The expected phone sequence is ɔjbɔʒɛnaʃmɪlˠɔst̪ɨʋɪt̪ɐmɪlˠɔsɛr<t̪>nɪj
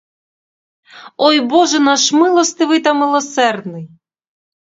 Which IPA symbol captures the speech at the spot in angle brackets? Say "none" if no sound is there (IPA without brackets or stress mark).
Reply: d̪